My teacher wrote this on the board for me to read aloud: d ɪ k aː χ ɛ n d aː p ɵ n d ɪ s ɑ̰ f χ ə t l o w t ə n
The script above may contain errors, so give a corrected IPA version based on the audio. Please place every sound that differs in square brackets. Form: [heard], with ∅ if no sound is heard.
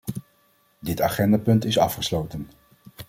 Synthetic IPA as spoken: d ɪ [t] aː χ ɛ n d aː p ɵ n [t] ɪ s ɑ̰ f χ ə [s] l o w t ə n